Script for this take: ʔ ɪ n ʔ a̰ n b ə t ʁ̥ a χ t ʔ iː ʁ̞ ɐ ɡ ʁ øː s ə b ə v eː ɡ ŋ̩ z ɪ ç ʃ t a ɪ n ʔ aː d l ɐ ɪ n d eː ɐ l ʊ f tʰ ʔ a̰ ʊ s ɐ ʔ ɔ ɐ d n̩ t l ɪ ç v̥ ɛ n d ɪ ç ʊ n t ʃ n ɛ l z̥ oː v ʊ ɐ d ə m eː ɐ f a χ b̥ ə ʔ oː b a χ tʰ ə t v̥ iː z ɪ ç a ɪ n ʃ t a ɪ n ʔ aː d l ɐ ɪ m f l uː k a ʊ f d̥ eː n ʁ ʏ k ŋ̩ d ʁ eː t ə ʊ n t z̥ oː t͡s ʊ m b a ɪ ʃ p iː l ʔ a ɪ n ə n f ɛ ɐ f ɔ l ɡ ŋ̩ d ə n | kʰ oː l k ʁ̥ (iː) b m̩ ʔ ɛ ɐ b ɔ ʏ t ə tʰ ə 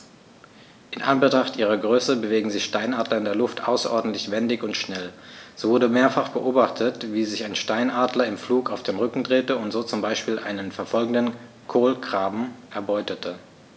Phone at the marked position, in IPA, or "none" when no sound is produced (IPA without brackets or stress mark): aː